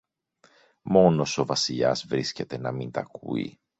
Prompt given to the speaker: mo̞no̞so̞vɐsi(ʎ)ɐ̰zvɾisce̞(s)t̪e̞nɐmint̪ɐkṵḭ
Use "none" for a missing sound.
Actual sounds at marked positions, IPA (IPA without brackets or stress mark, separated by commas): ʎ, none